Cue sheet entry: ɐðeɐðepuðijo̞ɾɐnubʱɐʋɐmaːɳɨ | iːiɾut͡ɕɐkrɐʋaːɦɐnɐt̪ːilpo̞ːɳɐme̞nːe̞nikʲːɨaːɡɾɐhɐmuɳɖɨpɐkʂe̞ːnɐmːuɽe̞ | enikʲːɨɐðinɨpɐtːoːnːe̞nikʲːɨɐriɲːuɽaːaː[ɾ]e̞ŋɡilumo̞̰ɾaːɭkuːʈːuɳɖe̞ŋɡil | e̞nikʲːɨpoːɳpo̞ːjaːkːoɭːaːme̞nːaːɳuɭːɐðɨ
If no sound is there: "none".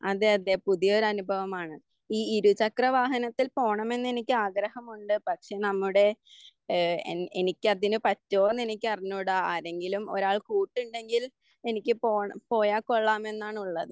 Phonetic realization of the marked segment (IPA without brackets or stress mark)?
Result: ɾ